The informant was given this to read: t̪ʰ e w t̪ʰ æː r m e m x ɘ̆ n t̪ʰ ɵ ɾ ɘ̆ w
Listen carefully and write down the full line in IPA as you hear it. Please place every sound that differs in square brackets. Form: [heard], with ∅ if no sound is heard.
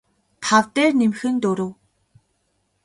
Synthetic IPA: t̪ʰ [a] w [t̪] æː r [n] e m x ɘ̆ n [t̪] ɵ ɾ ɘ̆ w